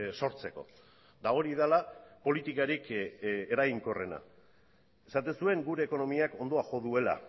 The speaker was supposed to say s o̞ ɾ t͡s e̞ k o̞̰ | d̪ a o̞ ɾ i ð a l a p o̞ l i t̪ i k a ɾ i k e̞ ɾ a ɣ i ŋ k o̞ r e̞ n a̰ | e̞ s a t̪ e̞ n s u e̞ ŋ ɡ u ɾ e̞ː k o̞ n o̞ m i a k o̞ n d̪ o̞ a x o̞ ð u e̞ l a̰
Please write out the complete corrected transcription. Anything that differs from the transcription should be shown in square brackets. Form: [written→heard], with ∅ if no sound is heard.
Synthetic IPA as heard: s o̞ ɾ t͡s e̞ k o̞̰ | d̪ a o̞ ɾ i ð a l a p o̞ l i t̪ i k a ɾ i k e̞ ɾ a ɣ i ŋ k o̞ r e̞ n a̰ | e̞ s a t̪ e̞ n s u e̞ ŋ ɡ u ɾ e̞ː k o̞ n o̞ m i a k o̞ n d̪ o̞ a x o̞ ð u e̞ l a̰